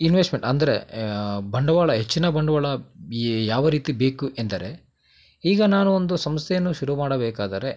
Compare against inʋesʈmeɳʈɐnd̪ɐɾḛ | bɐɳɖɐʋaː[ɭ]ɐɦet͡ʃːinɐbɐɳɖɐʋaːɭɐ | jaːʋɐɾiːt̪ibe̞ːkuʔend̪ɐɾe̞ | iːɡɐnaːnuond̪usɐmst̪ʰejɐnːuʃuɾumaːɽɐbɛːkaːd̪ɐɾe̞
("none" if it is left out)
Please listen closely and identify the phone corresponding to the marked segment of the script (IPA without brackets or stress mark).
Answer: ɭ